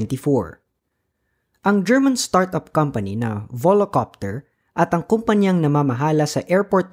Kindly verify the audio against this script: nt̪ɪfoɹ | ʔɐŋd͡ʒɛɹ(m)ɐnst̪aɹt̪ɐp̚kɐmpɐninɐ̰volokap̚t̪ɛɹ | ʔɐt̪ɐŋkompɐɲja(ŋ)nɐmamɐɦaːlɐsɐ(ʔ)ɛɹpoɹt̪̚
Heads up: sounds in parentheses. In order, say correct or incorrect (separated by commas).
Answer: correct, correct, correct